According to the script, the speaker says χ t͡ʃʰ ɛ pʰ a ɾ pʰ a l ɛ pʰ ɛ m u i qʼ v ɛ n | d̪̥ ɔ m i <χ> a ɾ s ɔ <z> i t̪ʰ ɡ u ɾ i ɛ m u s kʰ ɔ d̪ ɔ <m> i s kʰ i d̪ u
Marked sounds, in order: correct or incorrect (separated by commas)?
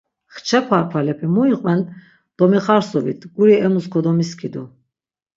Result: correct, incorrect, correct